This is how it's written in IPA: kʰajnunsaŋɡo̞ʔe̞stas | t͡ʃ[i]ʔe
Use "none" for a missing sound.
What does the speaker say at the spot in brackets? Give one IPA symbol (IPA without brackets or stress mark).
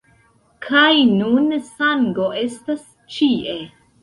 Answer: i